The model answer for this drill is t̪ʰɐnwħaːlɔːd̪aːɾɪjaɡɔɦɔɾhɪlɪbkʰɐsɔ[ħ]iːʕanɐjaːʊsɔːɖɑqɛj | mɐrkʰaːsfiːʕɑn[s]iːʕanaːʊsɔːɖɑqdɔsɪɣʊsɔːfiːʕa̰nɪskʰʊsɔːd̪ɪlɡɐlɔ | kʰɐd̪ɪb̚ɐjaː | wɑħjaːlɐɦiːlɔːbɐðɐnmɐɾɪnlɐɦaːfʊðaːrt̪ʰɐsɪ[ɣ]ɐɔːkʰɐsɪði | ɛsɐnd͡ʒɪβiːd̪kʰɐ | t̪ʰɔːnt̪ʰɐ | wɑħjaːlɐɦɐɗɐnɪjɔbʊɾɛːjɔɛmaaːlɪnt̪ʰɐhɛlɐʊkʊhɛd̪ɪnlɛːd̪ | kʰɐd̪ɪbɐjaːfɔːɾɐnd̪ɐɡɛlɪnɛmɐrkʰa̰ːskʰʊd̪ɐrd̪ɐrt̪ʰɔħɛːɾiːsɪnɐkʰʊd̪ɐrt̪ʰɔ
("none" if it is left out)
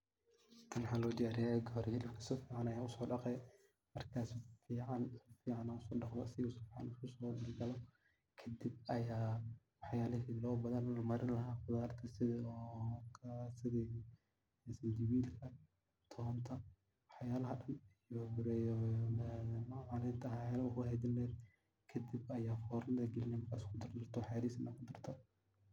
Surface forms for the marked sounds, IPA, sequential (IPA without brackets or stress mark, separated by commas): f, f, ð